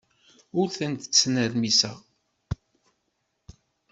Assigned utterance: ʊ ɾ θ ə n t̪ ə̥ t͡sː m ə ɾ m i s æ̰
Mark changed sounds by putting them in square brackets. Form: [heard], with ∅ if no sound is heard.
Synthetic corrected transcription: ʊ ɾ θ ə n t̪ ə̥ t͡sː [n] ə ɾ m i s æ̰